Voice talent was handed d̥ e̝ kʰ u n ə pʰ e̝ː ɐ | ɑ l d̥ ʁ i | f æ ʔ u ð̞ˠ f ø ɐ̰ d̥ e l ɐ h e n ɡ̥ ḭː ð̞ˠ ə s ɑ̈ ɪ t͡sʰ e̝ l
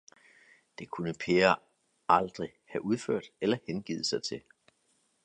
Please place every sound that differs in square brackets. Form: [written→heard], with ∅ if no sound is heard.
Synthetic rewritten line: d̥ e̝ kʰ u n ə pʰ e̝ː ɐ | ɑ l d̥ ʁ i | [f→h] æ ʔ u ð̞ˠ f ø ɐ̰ d̥ e l ɐ h e n ɡ̥ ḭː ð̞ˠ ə s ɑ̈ ɪ t͡sʰ e̝ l